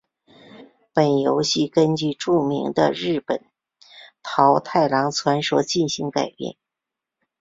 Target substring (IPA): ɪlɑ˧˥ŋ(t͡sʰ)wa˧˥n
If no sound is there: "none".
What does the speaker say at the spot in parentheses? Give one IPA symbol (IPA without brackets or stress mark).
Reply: t͡sʰ